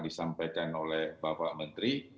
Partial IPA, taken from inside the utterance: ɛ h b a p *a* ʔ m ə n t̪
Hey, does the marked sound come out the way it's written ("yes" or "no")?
yes